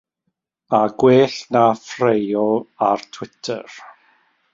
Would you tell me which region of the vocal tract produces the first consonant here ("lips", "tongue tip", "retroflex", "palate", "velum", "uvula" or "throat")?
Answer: velum